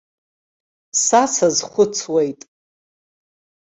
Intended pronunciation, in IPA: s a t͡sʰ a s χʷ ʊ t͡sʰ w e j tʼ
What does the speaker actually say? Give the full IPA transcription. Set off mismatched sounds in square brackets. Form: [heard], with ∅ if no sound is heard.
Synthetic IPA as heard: s a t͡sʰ a [z] χʷ ʊ t͡sʰ w e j tʼ